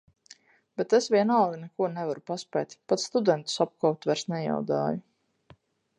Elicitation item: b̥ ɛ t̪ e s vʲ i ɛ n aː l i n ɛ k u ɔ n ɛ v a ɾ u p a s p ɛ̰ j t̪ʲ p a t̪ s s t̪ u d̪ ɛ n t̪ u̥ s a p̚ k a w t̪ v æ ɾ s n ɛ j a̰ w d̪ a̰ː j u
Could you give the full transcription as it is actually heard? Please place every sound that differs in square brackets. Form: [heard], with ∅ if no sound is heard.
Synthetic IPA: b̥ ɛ t̪ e s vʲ i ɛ n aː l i n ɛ k u ɔ n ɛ v a ɾ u p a s p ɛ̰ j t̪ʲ p a t̪ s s t̪ u d̪ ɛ n t̪ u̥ s a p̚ k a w t̪ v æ ɾ s n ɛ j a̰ w d̪ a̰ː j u